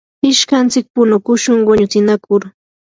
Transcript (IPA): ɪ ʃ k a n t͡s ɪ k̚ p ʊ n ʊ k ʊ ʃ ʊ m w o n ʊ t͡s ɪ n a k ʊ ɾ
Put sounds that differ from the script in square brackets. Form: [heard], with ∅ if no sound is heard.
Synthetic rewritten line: ɪ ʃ k a n t͡s ɪ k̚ p ʊ n ʊ k ʊ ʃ ʊ [ŋ] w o [ɲ] ʊ t͡s ɪ n a k ʊ ɾ